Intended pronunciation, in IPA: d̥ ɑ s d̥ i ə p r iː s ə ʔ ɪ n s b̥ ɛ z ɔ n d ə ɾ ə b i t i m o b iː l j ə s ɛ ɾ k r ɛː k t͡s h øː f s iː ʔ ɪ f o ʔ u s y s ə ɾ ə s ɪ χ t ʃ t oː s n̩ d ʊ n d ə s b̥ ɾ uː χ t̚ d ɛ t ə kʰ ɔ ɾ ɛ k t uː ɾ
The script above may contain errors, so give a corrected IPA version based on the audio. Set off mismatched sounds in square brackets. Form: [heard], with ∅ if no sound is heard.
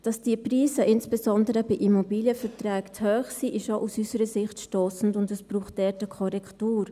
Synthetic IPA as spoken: d̥ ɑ s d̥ i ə p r iː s ə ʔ ɪ n s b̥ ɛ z ɔ n d ə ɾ ə b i [ʔ] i m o b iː l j ə [f] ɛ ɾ [t] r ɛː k t͡s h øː [χ] s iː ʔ ɪ [ʃ] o ʔ u s y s ə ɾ ə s ɪ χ t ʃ t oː s n̩ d ʊ n d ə s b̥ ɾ uː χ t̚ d ɛ t ə kʰ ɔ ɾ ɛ k t uː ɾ